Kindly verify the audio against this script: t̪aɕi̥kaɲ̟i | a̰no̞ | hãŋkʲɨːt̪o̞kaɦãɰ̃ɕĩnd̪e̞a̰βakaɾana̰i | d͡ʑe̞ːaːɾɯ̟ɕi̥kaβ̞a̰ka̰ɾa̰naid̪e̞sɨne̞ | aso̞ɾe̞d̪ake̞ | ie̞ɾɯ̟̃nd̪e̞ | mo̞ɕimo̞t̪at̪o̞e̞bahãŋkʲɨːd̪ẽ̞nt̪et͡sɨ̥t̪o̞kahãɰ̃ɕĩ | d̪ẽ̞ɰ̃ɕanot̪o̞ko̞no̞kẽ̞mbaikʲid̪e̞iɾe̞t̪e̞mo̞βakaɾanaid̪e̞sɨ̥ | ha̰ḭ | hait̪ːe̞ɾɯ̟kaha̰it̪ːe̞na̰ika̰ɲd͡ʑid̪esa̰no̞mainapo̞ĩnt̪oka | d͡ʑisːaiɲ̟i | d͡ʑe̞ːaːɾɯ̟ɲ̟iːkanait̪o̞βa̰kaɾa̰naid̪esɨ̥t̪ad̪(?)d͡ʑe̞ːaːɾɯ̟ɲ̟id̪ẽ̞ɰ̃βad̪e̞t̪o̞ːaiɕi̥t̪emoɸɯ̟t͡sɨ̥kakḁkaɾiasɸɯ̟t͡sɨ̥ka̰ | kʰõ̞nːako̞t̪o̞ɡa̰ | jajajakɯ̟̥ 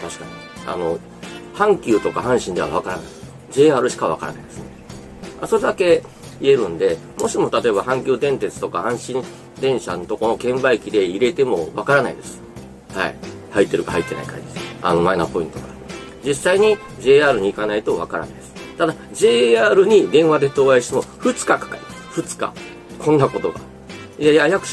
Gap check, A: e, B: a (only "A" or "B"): B